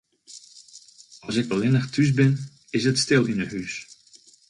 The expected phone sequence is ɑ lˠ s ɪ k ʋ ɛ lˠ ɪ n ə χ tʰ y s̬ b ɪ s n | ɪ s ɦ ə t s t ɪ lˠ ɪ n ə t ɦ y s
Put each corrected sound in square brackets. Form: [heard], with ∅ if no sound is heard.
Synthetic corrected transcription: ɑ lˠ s ɪ k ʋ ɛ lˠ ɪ n ə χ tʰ y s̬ b ɪ [∅] n | ɪ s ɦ ə t s t ɪ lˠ ɪ n ə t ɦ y s